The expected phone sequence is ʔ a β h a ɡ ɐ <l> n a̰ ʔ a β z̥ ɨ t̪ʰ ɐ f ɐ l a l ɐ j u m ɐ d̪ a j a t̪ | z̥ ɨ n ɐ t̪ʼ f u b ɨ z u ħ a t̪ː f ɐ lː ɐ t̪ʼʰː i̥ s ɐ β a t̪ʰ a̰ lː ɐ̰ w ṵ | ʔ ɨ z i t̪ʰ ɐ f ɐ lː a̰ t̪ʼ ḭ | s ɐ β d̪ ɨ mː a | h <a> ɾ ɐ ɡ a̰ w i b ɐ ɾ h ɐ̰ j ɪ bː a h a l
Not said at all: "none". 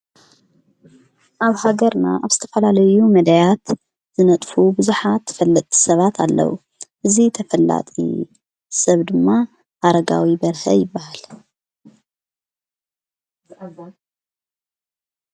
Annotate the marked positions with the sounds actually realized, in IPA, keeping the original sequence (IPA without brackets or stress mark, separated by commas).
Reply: ɾ, a